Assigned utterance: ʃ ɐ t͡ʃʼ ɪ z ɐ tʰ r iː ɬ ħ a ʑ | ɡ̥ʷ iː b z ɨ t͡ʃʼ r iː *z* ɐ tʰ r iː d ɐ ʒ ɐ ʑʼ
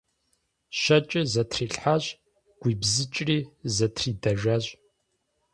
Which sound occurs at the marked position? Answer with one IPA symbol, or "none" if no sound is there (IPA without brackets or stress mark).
z